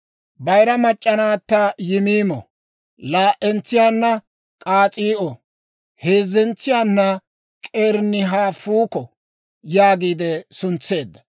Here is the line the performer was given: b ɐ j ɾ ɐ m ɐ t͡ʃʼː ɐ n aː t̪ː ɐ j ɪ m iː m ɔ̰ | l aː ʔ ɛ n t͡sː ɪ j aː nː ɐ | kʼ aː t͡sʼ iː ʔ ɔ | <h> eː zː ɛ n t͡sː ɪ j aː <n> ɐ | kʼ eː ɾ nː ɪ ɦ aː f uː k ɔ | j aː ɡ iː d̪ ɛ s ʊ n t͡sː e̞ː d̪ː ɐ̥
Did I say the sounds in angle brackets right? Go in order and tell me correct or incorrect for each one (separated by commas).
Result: correct, incorrect